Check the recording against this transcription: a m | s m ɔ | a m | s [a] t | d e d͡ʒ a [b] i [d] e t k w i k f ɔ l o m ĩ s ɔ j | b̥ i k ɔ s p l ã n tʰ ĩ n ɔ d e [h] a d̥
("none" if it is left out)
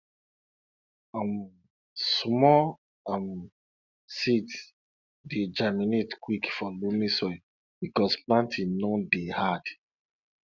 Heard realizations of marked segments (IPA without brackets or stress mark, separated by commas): i, m, n, h